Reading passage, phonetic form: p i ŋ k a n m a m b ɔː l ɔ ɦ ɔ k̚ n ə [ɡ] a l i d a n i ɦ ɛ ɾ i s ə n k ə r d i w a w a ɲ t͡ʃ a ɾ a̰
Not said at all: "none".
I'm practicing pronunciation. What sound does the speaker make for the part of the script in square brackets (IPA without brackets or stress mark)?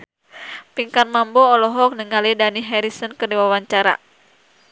ŋ